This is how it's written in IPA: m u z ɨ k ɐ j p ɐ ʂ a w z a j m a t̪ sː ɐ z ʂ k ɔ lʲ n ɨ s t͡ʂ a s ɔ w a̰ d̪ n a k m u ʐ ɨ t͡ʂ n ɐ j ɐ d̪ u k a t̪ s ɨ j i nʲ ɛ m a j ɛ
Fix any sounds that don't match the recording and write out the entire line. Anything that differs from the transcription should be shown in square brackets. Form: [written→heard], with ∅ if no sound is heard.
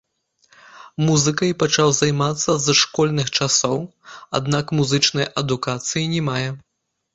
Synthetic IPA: m u z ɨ k ɐ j p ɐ [ʂ→t͡ʂ] a w z a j m a t̪ sː ɐ z ʂ k ɔ lʲ n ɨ [s→x] t͡ʂ a s ɔ w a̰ d̪ n a k m u [ʐ→z] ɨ t͡ʂ n ɐ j ɐ d̪ u k a t̪ s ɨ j i nʲ ɛ m a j ɛ

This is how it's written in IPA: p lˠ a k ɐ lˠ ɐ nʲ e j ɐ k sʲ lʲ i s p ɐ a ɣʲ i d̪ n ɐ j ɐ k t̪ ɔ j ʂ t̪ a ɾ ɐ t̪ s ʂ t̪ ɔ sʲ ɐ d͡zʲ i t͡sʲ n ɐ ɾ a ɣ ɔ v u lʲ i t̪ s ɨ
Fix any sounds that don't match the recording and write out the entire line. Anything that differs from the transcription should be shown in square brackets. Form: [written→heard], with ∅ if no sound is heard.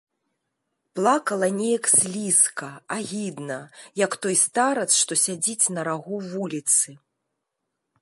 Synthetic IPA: p lˠ a k ɐ lˠ ɐ nʲ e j ɐ k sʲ lʲ i s [p→k] ɐ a ɣʲ i d̪ n ɐ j ɐ k t̪ ɔ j [ʂ→s] t̪ a ɾ ɐ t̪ s ʂ t̪ ɔ sʲ [ɐ→a] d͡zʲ i t͡sʲ n ɐ ɾ a ɣ [ɔ→u] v u lʲ i t̪ s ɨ

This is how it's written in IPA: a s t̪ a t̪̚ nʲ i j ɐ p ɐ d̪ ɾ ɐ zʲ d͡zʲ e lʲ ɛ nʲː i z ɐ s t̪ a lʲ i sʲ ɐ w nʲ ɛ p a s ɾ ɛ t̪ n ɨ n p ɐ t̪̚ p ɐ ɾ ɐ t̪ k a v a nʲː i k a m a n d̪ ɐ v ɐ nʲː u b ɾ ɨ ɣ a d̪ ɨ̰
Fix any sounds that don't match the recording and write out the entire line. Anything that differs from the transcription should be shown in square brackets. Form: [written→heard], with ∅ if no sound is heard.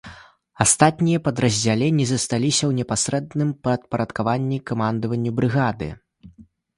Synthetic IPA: a s t̪ a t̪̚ nʲ i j ɐ p ɐ d̪ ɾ ɐ zʲ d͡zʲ [e→a] lʲ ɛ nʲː i z ɐ s t̪ a lʲ i sʲ ɐ w nʲ ɛ p a s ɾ ɛ [t̪→d̪] n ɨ [n→m] p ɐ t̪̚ p ɐ ɾ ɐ t̪ k a v a nʲː i k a m a n d̪ ɐ v ɐ nʲː u b ɾ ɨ ɣ a d̪ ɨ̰

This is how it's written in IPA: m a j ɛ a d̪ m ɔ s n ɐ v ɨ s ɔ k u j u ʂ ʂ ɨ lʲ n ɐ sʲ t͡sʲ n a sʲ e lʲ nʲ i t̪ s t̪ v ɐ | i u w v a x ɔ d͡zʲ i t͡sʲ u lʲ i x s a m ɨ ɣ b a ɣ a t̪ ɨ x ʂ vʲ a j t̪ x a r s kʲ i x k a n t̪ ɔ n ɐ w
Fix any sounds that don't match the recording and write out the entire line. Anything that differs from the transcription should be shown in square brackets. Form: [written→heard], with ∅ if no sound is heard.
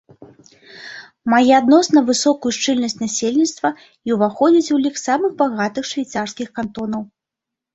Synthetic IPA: m a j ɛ a d̪ [m→n] ɔ s n ɐ v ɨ s ɔ k u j u ʂ [ʂ→t͡ʂ] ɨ lʲ n ɐ sʲ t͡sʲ n a sʲ e lʲ nʲ i t̪ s t̪ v ɐ | i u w v a x ɔ d͡zʲ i t͡sʲ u lʲ i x s a m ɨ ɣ b a ɣ a t̪ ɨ x ʂ vʲ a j t̪ [x→s] a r s kʲ i x k a n t̪ ɔ n ɐ w

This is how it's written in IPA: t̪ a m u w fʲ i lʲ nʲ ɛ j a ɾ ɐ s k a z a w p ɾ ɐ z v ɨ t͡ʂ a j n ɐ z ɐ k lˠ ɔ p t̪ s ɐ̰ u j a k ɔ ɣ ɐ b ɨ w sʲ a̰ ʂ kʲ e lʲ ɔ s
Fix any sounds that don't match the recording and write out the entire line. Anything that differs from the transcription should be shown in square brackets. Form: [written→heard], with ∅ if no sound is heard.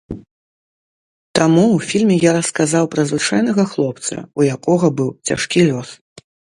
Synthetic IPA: t̪ a m u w fʲ i lʲ [nʲ→mʲ] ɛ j a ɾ ɐ s k a z a w p ɾ ɐ z v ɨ t͡ʂ a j n ɐ [z→ɣ] ɐ [k→x] lˠ ɔ p t̪ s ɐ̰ u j a k ɔ ɣ ɐ b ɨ w [sʲ→t͡sʲ] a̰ ʂ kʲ [e→i] lʲ ɔ s

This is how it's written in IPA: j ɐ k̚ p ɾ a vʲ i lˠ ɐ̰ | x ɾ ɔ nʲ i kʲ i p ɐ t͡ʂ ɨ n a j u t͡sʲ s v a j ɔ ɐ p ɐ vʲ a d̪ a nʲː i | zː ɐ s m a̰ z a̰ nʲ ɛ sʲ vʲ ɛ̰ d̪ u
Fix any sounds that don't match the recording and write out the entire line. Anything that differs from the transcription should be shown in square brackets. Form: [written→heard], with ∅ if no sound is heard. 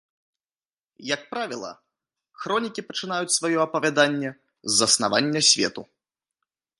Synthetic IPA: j ɐ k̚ p ɾ a vʲ i lˠ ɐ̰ | x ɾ ɔ nʲ i kʲ i p ɐ t͡ʂ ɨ n a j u t͡sʲ s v a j ɔ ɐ p ɐ vʲ a d̪ a nʲː [i→ɛ] | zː ɐ s [m→n] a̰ [z→v] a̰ [nʲ→nʲː] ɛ sʲ vʲ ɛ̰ [d̪→t̪] u

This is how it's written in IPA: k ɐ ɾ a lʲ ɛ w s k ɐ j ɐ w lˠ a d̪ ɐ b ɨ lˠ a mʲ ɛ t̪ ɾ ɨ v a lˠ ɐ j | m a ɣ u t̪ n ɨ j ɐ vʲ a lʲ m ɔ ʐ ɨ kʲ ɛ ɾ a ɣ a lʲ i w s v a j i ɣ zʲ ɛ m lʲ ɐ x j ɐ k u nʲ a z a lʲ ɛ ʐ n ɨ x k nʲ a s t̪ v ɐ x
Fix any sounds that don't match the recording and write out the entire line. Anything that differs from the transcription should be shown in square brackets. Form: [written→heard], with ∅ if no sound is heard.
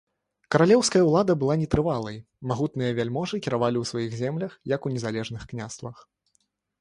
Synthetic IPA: k ɐ ɾ a lʲ ɛ w s k ɐ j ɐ w lˠ a d̪ ɐ b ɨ lˠ a [mʲ→nʲ] ɛ t̪ ɾ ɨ v a lˠ ɐ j | m a ɣ u t̪ n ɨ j ɐ vʲ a lʲ m ɔ ʐ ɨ kʲ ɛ ɾ a [ɣ→v] a lʲ i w s v a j i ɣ zʲ ɛ m lʲ ɐ x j ɐ k u nʲ [a→ɛ] z a lʲ ɛ ʐ n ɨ x k nʲ a s t̪ v ɐ x

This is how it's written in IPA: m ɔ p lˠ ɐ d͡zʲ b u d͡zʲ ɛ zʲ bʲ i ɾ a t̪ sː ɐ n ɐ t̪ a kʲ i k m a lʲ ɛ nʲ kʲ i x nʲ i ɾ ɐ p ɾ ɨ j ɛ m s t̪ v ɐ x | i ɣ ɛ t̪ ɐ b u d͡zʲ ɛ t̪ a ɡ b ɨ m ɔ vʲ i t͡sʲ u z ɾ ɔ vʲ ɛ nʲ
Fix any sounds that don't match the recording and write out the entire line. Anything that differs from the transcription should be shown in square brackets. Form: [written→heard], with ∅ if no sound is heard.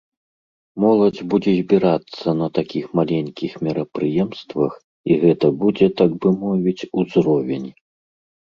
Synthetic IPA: m ɔ [p→∅] lˠ ɐ d͡zʲ b u d͡zʲ ɛ zʲ bʲ i ɾ a t̪ sː ɐ n ɐ t̪ a kʲ i [k→x] m a lʲ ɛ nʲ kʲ i x [nʲ→mʲ] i ɾ ɐ p ɾ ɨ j ɛ m s t̪ v ɐ x | i ɣ ɛ t̪ ɐ b u d͡zʲ ɛ t̪ a ɡ b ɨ m ɔ vʲ i t͡sʲ u z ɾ ɔ vʲ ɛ nʲ

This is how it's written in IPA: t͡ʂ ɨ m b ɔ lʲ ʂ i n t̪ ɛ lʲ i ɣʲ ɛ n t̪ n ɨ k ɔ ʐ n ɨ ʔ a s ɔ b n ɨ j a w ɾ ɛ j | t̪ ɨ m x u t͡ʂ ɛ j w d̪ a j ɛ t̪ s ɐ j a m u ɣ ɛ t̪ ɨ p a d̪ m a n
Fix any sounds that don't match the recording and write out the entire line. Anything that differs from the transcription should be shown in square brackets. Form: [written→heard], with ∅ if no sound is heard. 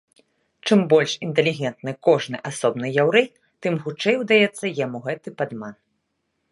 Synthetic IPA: t͡ʂ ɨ m b ɔ lʲ ʂ i n t̪ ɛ lʲ i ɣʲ ɛ n t̪ n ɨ k ɔ ʐ n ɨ ʔ a s ɔ b n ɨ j a w ɾ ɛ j | t̪ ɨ m x u t͡ʂ ɛ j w d̪ a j ɛ t̪ [s→sː] ɐ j a m u ɣ ɛ t̪ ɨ p a d̪ m a n

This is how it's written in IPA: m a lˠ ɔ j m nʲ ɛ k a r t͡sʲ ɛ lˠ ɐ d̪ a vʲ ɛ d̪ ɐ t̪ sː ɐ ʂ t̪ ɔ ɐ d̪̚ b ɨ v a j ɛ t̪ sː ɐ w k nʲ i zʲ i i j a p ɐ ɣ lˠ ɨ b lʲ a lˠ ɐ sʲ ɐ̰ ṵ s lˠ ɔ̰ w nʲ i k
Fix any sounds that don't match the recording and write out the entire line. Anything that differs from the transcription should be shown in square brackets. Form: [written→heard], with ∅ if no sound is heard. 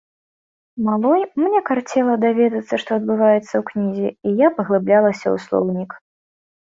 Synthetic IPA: m a lˠ ɔ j m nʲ ɛ k a r t͡sʲ ɛ lˠ ɐ d̪ a vʲ ɛ d̪ ɐ t̪ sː ɐ ʂ t̪ ɔ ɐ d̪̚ b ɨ v a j ɛ t̪ sː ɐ w k nʲ i zʲ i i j a p ɐ ɣ lˠ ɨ b lʲ a lˠ ɐ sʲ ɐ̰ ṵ s lˠ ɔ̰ w nʲ i k

